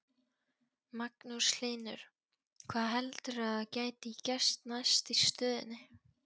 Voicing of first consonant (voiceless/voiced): voiced